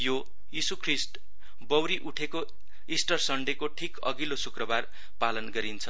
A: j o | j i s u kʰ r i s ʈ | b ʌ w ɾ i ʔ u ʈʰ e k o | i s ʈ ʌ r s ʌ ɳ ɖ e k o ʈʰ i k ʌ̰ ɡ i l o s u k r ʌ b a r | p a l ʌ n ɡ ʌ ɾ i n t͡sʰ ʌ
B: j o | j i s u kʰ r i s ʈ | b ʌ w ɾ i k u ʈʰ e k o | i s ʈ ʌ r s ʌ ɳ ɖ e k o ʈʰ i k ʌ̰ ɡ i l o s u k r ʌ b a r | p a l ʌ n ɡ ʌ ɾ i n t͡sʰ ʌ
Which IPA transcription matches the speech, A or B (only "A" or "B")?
A